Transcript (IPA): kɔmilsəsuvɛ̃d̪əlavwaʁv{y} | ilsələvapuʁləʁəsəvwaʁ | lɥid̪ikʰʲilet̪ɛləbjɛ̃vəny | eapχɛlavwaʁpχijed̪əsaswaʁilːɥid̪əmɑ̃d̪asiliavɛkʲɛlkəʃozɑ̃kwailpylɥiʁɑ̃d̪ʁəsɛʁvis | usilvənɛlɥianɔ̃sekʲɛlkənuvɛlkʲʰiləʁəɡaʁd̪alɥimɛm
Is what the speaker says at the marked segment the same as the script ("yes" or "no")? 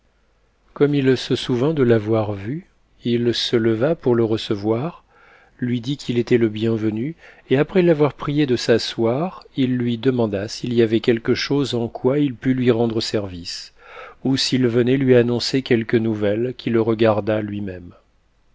yes